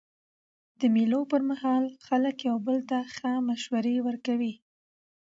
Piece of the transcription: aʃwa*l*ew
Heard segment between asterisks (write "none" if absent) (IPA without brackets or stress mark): ɾ